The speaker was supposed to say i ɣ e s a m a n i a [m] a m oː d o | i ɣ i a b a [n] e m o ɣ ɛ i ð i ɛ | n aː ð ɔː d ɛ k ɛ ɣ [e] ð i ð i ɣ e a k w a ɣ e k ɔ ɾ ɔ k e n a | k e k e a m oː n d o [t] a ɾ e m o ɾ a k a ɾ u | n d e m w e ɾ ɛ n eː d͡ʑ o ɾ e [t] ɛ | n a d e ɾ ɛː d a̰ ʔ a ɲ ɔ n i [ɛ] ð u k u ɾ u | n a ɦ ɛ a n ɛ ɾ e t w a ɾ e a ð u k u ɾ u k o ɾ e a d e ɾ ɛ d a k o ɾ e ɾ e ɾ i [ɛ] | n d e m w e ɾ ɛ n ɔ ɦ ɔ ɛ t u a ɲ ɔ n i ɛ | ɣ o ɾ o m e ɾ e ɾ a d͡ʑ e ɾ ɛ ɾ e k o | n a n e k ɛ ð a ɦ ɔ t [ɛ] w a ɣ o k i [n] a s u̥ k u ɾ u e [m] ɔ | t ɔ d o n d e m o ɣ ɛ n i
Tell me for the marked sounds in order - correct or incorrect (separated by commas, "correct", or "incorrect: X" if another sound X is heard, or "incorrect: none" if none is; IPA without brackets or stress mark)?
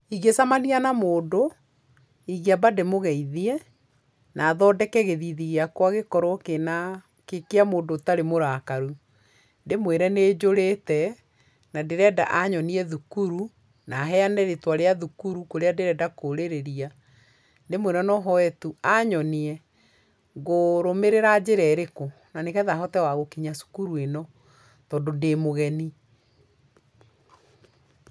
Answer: incorrect: n, incorrect: d, correct, correct, correct, correct, incorrect: a, correct, incorrect: ɲ, incorrect: n